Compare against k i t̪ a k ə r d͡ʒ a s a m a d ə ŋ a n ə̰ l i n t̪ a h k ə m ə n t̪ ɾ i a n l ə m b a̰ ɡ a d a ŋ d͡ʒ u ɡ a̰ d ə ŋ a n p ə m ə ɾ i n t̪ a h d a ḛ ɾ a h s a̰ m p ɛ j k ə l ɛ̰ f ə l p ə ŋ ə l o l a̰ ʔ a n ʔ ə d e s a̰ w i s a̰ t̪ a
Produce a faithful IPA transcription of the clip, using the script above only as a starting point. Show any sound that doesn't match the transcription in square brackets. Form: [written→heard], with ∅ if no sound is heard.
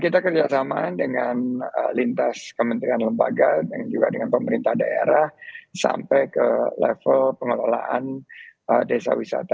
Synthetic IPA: k i t̪ a k ə r d͡ʒ a s a m a d ə ŋ a n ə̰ l i n t̪ a [h→s] k ə m ə n t̪ ɾ i a n l ə m b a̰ ɡ a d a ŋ d͡ʒ u ɡ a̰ d ə ŋ a n p ə m ə ɾ i n t̪ a h d a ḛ ɾ a h s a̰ m p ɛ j k ə l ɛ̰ f ə l p ə ŋ ə l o l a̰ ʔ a n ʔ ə d e s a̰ w i s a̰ t̪ a